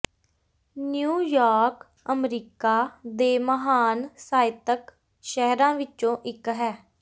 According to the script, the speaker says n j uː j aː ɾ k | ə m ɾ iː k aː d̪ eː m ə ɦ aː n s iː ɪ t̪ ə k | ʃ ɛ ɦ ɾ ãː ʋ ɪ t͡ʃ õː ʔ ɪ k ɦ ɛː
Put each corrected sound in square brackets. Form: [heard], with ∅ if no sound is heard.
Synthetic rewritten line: n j uː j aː ɾ k | ə m ɾ iː k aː d̪ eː m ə ɦ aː n s [aː] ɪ t̪ ə k | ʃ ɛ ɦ ɾ ãː ʋ ɪ t͡ʃ õː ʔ ɪ k ɦ ɛː

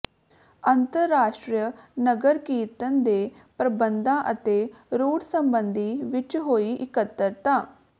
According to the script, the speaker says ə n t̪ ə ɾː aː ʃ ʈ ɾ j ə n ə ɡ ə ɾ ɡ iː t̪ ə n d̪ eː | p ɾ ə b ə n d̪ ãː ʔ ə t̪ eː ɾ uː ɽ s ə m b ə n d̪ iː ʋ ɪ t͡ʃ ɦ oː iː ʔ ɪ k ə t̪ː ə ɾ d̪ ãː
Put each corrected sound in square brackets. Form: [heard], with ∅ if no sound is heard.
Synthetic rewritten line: ə n t̪ ə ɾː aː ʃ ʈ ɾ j ə n ə ɡ ə ɾ [k] iː t̪ ə n d̪ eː | p ɾ ə b ə n d̪ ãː ʔ ə t̪ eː ɾ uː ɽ s ə m b ə n d̪ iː ʋ ɪ t͡ʃ ɦ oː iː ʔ ɪ k ə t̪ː ə ɾ [t̪] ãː

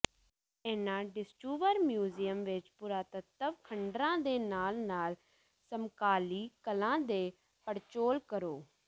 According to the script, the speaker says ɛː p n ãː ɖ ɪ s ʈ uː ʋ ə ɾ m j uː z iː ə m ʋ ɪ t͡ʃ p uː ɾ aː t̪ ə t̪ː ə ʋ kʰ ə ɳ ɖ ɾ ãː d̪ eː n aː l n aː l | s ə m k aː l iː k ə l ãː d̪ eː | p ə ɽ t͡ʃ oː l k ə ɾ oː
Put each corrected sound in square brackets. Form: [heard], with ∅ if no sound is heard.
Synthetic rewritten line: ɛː [∅] n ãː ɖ ɪ s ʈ uː ʋ ə ɾ m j uː z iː ə m ʋ ɪ t͡ʃ p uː ɾ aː t̪ ə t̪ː ə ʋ kʰ ə ɳ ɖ ɾ ãː d̪ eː n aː l n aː l | s ə m k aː l iː k ə l ãː d̪ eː | p ə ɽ t͡ʃ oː l k ə ɾ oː

